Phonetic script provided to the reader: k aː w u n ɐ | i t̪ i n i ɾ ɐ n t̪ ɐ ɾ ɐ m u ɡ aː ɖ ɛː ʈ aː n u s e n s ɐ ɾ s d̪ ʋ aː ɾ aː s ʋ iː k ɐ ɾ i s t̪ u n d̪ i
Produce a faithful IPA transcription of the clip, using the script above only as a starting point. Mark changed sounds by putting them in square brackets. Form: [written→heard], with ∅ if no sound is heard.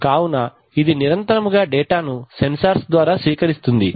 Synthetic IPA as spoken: k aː w u n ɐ | i [t̪→d̪] i n i ɾ ɐ n t̪ ɐ ɾ ɐ m u ɡ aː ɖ ɛː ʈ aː n u s e n s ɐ ɾ s d̪ ʋ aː ɾ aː s ʋ iː k ɐ ɾ i s t̪ u n d̪ i